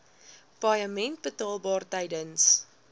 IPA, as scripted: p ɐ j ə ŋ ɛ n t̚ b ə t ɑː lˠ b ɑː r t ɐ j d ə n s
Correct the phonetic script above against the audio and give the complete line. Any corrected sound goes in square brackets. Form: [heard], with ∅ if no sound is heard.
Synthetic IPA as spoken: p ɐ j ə [m] ɛ n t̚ b ə t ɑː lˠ b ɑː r t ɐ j d ə n s